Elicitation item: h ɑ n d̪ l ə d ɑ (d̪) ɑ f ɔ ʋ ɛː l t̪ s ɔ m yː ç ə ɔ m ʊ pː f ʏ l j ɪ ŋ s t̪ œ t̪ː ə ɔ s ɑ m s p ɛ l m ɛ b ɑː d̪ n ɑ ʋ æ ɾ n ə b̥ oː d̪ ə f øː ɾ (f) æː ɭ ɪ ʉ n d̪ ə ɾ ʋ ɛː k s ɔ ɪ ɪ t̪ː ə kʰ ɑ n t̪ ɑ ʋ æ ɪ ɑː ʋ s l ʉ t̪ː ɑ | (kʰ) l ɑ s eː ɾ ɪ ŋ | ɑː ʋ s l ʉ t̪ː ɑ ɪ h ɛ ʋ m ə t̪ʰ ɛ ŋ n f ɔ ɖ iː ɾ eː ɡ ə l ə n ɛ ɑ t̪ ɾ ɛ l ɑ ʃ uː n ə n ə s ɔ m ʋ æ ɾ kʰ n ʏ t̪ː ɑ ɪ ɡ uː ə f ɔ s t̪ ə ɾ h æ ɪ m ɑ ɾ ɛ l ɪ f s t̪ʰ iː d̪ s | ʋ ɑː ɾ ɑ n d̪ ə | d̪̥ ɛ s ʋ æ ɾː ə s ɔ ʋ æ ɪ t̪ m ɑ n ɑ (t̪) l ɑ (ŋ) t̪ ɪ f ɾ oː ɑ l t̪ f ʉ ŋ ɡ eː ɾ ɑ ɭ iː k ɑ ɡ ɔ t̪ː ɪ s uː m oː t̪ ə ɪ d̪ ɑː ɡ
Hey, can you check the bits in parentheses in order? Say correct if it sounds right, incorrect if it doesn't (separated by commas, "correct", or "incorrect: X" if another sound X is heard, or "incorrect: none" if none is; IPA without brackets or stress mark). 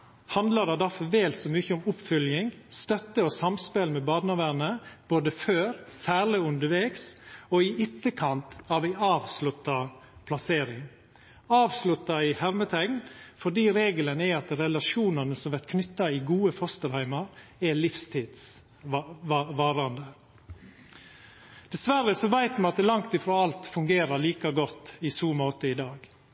correct, incorrect: s, incorrect: pʰ, correct, correct